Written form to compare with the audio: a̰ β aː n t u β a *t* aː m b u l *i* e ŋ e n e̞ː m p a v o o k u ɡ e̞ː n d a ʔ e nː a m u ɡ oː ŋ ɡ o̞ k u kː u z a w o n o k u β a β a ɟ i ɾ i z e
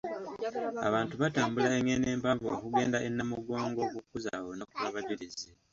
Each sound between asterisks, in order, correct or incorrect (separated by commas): correct, incorrect